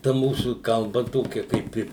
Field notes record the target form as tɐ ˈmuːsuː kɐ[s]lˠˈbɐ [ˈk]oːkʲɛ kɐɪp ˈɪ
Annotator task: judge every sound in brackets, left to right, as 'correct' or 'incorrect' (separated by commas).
incorrect, incorrect